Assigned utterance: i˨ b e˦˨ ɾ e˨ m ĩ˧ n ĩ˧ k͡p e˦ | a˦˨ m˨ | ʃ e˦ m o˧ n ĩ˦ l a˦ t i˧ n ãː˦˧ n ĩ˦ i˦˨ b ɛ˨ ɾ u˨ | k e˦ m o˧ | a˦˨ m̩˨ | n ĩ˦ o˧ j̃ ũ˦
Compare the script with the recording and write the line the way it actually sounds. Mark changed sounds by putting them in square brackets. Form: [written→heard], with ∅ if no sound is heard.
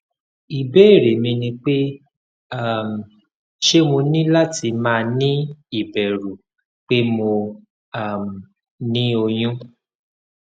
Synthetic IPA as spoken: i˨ b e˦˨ ɾ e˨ m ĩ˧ n ĩ˧ k͡p e˦ | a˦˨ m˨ | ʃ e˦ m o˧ n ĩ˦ l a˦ t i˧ [n→m] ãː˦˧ n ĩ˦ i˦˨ b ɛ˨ ɾ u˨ | [k→k͡p] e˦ m o˧ | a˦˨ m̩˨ | n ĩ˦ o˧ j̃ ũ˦